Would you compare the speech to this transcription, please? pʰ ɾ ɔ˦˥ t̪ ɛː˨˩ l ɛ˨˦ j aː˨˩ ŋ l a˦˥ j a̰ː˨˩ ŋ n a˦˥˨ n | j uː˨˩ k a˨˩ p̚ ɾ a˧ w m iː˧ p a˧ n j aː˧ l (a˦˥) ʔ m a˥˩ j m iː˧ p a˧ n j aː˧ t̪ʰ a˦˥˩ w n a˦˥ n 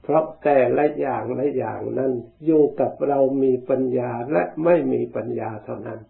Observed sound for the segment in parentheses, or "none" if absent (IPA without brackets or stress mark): ɛ˦˥